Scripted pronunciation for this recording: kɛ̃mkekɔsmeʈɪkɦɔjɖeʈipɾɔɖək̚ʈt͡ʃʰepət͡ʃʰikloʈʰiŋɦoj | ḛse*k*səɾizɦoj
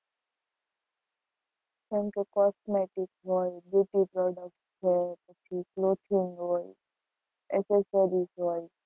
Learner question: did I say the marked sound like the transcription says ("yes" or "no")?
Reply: no